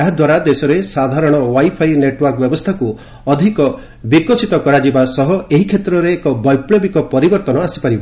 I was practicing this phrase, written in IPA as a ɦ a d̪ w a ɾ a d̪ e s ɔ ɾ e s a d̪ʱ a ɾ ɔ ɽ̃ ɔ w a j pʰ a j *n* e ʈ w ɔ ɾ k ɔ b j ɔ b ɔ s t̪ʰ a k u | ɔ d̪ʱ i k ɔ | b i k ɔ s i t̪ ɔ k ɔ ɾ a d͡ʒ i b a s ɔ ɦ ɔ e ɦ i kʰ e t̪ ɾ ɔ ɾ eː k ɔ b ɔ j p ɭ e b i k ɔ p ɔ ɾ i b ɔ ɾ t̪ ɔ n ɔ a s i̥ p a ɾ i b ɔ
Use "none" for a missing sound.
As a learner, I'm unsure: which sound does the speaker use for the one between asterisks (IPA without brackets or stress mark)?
n